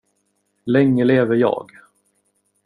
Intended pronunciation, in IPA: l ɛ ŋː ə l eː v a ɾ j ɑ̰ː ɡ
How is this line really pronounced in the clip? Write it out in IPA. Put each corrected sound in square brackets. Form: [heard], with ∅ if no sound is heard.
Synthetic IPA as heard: l ɛ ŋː ə l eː v [ə] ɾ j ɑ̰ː ɡ